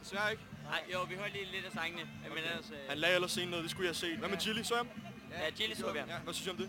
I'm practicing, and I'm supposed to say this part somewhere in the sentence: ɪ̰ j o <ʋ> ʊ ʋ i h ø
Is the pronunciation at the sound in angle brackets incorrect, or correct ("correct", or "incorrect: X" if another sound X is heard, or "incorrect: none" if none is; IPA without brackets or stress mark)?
incorrect: none